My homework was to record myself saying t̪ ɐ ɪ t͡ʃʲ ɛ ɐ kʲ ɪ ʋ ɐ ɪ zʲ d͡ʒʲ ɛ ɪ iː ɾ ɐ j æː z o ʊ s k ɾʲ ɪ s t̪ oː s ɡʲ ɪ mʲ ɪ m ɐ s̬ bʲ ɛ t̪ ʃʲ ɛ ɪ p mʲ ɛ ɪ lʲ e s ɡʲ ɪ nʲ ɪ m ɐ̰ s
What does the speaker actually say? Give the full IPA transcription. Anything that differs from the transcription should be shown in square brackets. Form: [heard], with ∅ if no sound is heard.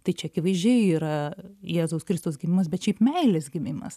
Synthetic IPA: t̪ ɐ ɪ t͡ʃʲ ɛ ɐ kʲ ɪ ʋ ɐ ɪ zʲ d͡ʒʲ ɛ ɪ iː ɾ ɐ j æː z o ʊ s k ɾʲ ɪ s t̪ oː s ɡʲ ɪ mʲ ɪ m ɐ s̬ bʲ ɛ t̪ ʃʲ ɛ ɪ p mʲ ɛ ɪ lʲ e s ɡʲ ɪ [mʲ] ɪ m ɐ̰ s